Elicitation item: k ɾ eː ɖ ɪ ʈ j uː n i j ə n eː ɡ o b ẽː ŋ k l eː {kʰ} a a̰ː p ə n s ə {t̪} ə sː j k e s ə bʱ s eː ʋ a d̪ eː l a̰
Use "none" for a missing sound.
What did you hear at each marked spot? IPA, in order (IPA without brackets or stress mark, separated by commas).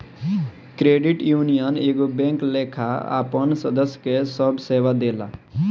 kʰ, d̪